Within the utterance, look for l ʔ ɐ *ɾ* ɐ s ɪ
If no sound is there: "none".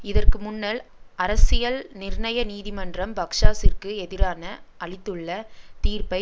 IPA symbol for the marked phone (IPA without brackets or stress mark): ɾ